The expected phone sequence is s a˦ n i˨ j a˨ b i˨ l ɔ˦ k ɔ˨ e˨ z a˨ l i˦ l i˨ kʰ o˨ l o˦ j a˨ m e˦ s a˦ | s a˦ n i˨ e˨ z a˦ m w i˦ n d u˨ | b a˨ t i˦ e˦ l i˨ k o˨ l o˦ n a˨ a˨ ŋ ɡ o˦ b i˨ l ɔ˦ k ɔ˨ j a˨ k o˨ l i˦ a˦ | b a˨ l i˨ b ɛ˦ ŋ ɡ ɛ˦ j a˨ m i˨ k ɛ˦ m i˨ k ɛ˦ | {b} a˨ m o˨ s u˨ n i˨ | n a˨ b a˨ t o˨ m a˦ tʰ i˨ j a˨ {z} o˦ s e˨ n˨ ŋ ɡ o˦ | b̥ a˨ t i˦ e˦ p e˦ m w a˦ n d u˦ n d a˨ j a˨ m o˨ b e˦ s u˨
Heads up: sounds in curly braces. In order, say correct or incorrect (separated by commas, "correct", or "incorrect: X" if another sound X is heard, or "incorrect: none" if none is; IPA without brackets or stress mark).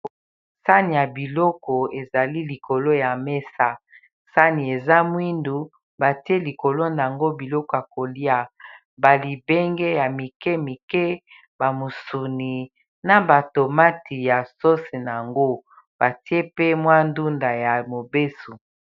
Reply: correct, incorrect: s